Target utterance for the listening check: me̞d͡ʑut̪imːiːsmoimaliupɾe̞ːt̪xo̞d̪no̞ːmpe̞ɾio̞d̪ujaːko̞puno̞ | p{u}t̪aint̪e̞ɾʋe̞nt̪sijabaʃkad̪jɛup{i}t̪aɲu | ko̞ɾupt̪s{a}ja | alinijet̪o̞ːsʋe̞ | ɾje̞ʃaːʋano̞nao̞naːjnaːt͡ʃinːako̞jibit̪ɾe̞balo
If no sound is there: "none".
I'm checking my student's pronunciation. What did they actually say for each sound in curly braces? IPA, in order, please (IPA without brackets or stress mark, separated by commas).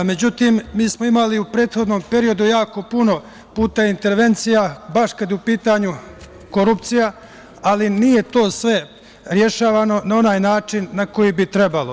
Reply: uː, iː, i